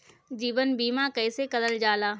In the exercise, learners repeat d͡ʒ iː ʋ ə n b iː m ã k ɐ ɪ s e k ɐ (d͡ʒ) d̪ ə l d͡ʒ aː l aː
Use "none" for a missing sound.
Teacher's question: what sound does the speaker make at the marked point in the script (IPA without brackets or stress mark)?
none